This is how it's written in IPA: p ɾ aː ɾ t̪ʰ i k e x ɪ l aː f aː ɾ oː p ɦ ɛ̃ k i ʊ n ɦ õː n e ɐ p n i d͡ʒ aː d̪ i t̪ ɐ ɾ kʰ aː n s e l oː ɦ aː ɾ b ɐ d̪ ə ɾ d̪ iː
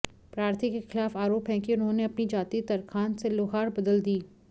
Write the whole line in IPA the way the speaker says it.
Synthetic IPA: p ɾ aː ɾ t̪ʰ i k e x ɪ l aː f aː ɾ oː p ɦ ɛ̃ k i ʊ n ɦ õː n e ɐ p n i d͡ʒ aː t̪ i t̪ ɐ ɾ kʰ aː n s e l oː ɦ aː ɾ b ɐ d̪ ə l d̪ iː